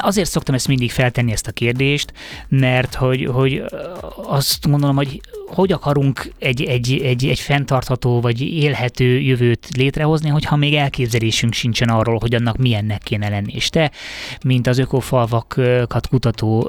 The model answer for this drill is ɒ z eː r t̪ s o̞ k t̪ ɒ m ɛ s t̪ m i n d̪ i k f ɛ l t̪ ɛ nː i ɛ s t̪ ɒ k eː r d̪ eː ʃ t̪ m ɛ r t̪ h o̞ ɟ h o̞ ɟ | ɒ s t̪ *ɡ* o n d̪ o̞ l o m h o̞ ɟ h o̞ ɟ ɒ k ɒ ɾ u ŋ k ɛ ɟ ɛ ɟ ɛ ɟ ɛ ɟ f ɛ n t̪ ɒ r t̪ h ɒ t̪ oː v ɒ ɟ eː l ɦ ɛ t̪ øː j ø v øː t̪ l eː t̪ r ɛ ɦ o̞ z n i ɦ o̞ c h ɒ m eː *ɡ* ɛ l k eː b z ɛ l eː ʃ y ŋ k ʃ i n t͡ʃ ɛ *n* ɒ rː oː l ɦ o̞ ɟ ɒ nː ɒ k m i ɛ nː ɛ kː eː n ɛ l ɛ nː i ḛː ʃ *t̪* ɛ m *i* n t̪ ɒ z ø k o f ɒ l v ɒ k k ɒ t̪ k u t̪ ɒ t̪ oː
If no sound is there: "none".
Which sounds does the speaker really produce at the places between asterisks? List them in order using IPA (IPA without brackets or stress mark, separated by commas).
ɡ, ɡ, n, t̪, i